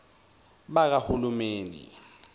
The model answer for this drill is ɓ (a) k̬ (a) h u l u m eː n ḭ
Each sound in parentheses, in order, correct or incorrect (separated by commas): correct, correct